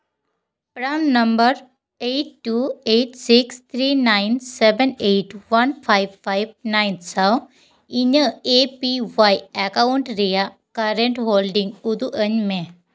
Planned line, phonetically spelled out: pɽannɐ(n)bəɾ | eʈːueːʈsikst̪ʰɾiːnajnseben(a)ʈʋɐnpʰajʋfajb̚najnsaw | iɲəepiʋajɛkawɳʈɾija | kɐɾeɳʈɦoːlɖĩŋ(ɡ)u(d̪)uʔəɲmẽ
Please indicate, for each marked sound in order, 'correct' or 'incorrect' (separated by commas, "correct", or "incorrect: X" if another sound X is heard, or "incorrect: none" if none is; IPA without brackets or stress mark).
incorrect: m, incorrect: e, correct, correct